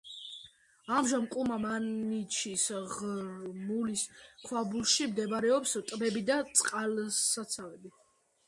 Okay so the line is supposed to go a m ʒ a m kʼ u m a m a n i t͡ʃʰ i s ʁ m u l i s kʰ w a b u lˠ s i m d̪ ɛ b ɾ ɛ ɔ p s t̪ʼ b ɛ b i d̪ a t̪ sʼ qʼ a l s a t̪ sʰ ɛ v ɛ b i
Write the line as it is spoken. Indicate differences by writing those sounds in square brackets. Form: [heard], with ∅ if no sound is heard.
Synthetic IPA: a m ʒ a m kʼ u m a m a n i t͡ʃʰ i s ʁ m u l i s kʰ w a b u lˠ [ʃ] i m d̪ ɛ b ɾ ɛ ɔ p s t̪ʼ b ɛ b i d̪ a t̪ sʼ qʼ a l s a t̪ sʰ [a] v ɛ b i